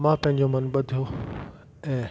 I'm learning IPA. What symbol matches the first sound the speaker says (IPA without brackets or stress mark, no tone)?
m